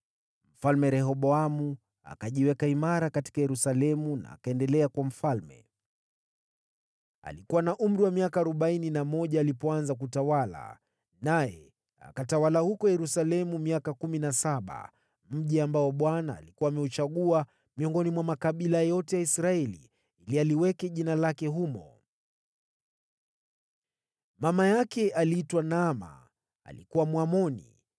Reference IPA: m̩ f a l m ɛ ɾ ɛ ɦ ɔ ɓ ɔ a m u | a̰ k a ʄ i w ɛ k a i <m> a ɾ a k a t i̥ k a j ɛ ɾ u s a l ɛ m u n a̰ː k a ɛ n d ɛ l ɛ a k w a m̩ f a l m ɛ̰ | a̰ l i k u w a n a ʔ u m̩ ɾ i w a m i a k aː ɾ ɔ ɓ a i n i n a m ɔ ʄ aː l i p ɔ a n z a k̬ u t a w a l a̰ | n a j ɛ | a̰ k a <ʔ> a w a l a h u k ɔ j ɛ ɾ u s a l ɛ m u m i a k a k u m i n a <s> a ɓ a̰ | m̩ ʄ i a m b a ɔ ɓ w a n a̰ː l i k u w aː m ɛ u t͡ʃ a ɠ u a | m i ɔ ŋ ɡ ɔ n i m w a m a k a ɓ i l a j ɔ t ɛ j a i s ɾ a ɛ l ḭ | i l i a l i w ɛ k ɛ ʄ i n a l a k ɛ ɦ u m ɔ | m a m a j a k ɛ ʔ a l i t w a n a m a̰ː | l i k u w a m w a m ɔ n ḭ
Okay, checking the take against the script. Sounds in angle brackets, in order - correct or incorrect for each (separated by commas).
correct, incorrect, correct